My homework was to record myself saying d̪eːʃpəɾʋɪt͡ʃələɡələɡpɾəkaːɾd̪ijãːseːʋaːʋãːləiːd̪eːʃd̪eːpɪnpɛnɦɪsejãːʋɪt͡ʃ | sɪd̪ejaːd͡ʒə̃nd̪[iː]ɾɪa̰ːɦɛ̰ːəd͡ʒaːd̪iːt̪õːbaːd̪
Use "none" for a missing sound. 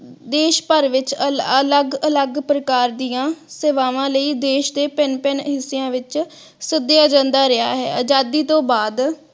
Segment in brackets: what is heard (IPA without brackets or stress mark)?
aː